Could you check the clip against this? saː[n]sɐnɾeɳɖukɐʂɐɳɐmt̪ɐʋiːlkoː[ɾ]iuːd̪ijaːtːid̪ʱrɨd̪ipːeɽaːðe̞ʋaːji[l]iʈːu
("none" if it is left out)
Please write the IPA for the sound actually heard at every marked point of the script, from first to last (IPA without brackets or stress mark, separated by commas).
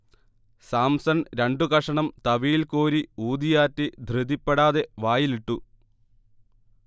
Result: m, ɾ, l